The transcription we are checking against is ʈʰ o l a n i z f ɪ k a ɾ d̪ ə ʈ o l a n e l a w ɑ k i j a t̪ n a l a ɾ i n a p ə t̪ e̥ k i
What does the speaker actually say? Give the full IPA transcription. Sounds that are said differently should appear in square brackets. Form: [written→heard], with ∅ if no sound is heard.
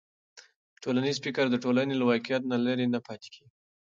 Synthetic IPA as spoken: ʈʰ o l a n i z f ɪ k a ɾ d̪ ə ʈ o l a n e l a w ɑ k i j a t̪ n a l a ɾ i n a p [ə→ɑ] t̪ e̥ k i